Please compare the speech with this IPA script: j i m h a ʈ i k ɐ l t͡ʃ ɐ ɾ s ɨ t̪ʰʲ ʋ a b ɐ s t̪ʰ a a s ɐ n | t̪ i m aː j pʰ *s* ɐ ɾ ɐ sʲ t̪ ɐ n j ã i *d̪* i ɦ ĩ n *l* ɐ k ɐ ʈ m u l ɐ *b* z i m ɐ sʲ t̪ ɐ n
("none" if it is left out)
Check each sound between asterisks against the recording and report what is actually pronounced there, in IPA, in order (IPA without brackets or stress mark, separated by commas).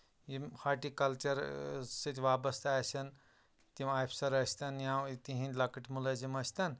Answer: s, t̪, l, none